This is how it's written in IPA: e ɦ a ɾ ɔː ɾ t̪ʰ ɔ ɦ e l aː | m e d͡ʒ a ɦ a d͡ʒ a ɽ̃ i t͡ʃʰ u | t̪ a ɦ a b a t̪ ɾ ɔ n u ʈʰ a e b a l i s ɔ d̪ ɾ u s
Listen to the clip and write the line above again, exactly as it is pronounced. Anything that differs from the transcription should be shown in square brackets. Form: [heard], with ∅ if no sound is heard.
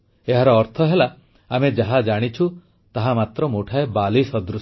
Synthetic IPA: e ɦ a ɾ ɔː ɾ t̪ʰ ɔ ɦ e l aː | m e d͡ʒ a ɦ a d͡ʒ a ɽ̃ i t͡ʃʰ u | t̪ a ɦ a [m] a t̪ ɾ ɔ [m] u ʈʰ a e b a l i s ɔ d̪ ɾ u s